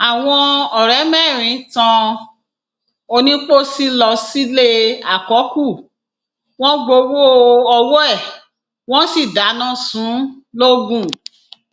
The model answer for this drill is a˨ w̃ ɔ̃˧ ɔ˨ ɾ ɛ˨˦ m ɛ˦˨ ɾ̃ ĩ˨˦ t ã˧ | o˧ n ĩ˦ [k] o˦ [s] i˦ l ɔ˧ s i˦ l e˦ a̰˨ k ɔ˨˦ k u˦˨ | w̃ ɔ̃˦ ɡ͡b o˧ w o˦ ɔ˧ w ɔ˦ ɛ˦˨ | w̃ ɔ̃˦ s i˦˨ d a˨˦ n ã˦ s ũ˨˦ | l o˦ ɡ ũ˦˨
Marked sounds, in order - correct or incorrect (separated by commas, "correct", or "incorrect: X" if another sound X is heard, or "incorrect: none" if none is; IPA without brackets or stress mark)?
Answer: incorrect: k͡p, correct